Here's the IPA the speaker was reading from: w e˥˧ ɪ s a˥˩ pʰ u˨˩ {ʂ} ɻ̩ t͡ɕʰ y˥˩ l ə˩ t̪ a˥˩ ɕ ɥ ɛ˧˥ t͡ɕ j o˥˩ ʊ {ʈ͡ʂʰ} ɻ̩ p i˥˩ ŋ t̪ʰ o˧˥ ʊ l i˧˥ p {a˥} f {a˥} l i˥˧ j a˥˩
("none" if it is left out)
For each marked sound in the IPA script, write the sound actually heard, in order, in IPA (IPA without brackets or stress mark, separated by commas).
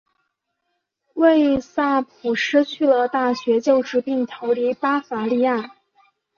ʂ, ʈ͡ʂ, a˥, a˧˥